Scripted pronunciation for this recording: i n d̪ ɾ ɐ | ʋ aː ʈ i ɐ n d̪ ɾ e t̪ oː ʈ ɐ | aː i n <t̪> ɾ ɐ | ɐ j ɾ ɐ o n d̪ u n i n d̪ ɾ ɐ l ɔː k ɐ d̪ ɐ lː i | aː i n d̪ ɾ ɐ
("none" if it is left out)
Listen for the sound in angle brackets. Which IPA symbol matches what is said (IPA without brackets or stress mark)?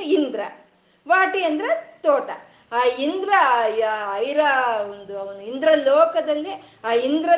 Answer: d̪